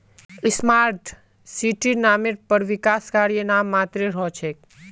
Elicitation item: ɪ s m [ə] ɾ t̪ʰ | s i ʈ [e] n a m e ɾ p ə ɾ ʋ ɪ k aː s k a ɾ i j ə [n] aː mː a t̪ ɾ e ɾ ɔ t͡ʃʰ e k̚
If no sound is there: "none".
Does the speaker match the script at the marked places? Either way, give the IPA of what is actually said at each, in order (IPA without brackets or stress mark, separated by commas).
a, i, n